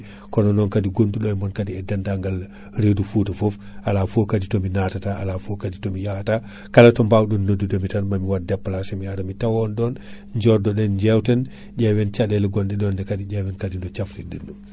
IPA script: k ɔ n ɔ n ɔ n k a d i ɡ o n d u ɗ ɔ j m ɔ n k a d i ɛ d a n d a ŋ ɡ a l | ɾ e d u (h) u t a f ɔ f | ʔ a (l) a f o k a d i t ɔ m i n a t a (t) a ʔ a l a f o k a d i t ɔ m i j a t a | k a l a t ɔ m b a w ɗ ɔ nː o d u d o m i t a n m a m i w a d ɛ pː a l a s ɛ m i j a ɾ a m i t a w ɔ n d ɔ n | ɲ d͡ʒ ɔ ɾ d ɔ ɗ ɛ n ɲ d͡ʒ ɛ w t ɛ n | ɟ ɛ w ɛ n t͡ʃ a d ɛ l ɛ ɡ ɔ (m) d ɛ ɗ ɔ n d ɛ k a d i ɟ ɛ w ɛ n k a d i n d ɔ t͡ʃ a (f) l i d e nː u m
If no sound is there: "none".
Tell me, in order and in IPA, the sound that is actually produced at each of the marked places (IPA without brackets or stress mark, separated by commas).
f, l, t, n, f